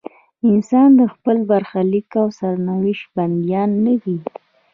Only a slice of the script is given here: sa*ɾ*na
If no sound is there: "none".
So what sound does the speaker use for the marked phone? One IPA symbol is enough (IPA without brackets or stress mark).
ɾ